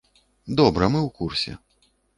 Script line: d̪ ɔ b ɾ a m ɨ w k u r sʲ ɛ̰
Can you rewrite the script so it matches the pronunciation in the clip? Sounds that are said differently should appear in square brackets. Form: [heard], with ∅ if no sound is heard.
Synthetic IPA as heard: d̪ ɔ b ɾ [ɐ] m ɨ w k u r sʲ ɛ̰